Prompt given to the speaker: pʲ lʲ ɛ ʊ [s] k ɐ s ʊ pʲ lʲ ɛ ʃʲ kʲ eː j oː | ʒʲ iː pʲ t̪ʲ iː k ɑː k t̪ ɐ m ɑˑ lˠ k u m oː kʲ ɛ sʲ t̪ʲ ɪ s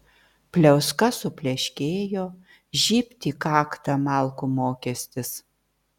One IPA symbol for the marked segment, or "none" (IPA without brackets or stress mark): s